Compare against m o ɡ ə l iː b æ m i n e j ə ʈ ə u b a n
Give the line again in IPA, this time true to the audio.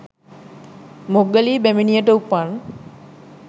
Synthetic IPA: m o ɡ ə l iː b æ m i n i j ə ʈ ə u p a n